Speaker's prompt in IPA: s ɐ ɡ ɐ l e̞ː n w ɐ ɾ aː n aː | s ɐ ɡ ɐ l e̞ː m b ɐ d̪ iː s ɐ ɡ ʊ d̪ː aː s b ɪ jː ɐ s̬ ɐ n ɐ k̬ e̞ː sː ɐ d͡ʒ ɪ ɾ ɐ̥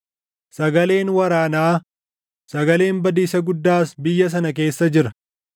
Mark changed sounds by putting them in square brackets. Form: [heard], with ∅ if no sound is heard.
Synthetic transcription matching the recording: s ɐ ɡ ɐ l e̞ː n w ɐ ɾ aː n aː | s ɐ ɡ ɐ l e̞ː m b ɐ d̪ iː s ɐ ɡ ʊ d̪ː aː s b ɪ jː ɐ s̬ ɐ n ɐ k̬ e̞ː sː ɐ d͡ʒ ɪ ɾ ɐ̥